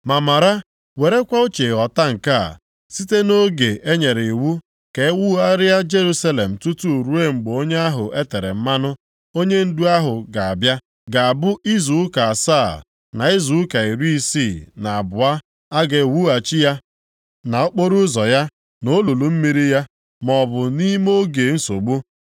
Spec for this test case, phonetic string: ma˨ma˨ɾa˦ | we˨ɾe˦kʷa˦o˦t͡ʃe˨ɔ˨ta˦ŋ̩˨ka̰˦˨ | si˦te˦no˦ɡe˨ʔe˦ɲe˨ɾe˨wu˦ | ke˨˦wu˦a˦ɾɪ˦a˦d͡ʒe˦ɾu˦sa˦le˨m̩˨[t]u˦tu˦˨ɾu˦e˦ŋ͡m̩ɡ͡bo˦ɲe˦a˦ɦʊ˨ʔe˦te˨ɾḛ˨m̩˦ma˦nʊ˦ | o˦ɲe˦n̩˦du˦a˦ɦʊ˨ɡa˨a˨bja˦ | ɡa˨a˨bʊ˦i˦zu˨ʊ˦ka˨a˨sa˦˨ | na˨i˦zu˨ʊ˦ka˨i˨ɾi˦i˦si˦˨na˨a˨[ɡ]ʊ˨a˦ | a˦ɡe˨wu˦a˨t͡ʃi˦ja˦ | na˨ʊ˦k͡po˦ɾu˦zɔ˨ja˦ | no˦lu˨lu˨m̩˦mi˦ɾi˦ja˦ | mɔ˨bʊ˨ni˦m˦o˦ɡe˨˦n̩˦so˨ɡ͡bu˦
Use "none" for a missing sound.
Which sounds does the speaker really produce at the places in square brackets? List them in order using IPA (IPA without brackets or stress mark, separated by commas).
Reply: t, b